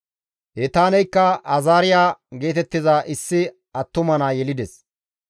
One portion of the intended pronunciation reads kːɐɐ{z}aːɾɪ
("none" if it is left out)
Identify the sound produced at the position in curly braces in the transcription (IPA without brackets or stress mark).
z